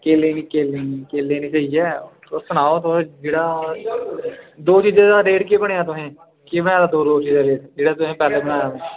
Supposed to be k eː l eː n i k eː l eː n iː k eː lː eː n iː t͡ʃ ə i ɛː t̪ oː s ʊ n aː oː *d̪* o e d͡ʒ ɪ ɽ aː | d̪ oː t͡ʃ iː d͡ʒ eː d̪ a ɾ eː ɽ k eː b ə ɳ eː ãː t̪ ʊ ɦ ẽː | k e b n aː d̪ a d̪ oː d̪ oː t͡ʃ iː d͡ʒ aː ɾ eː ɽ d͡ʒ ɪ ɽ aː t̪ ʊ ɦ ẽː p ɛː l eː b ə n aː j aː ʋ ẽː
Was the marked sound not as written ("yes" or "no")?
yes